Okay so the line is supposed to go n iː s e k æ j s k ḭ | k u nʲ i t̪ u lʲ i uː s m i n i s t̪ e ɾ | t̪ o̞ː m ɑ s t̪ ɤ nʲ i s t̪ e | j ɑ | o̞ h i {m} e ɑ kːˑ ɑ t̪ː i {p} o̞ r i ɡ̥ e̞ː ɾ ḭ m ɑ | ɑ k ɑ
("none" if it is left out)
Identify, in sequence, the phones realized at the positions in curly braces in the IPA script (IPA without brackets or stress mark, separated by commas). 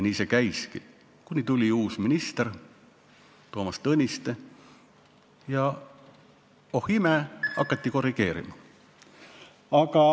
m, k